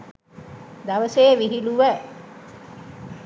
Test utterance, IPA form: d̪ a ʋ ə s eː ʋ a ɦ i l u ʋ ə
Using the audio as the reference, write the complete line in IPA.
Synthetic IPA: d̪ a ʋ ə s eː ʋ i ɦ i l u ʋ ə